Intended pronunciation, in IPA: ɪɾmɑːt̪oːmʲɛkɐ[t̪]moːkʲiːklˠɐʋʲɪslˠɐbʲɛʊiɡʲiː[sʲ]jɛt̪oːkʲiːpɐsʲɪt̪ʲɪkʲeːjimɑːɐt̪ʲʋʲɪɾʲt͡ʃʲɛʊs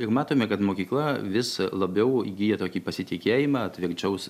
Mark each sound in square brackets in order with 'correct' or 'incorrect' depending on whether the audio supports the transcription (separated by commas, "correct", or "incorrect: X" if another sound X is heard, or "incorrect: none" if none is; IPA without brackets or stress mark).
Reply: correct, incorrect: none